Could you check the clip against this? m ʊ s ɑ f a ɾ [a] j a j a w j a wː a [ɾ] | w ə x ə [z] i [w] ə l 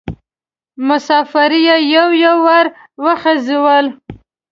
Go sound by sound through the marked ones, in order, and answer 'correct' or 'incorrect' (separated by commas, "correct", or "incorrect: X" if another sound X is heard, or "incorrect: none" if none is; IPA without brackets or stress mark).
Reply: incorrect: i, correct, correct, correct